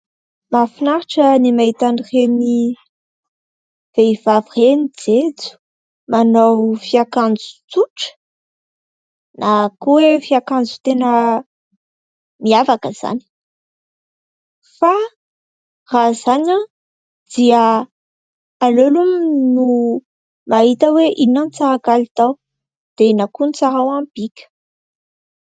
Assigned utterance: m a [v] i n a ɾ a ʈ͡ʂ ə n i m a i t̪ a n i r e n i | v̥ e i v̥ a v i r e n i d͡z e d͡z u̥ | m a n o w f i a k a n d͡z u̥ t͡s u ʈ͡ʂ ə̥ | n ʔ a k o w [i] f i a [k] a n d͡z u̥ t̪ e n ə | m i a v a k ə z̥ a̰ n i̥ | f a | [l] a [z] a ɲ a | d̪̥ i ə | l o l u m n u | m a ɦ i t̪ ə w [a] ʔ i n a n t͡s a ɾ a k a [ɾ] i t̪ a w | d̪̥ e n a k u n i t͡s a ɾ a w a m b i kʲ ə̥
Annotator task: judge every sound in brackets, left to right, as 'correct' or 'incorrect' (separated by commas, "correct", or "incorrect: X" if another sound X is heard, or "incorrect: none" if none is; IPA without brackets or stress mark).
incorrect: f, incorrect: e, correct, incorrect: r, correct, incorrect: e, incorrect: l